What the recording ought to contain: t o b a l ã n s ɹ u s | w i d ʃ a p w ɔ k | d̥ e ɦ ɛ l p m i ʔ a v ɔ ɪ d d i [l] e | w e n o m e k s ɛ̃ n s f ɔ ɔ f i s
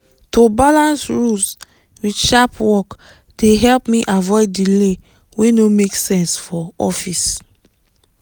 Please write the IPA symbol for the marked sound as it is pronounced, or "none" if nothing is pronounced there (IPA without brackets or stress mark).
l